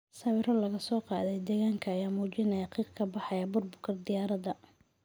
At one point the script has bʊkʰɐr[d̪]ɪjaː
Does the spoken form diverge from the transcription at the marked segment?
no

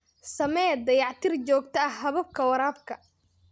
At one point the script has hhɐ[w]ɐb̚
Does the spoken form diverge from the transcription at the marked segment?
yes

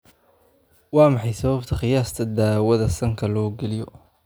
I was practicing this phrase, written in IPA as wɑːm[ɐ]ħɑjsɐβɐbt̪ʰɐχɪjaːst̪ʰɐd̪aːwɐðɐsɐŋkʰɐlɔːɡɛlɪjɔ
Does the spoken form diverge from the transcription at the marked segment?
yes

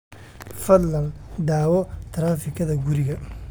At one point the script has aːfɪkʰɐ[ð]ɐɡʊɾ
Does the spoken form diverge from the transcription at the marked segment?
no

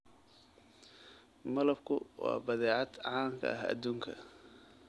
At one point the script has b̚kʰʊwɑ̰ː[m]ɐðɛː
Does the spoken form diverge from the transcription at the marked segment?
yes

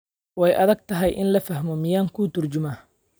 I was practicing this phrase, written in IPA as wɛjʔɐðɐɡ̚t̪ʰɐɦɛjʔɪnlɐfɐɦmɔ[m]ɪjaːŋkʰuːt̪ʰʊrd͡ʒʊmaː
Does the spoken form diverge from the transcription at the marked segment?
no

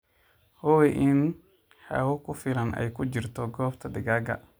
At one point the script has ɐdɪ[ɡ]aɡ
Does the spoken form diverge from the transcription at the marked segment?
no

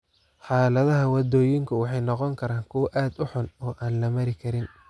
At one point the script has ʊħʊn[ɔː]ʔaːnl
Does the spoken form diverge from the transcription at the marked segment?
no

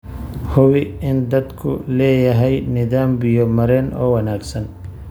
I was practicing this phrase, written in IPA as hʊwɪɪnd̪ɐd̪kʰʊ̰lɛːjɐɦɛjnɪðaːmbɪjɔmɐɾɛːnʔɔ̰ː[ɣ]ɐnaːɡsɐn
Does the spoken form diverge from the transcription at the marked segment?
yes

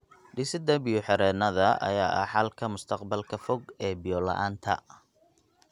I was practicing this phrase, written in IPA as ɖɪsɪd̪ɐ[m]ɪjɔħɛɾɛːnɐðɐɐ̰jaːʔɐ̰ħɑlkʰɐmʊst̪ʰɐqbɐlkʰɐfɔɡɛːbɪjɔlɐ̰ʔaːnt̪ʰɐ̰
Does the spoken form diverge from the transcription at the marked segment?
yes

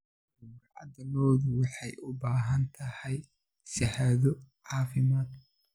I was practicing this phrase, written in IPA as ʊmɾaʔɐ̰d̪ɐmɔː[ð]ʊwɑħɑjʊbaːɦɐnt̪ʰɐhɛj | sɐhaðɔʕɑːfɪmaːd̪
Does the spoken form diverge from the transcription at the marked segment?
no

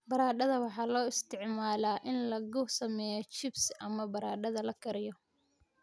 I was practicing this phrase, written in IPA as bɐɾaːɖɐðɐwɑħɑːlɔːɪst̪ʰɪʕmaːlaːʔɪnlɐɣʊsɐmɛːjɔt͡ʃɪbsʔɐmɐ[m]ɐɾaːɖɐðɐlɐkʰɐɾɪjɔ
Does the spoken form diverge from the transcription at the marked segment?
yes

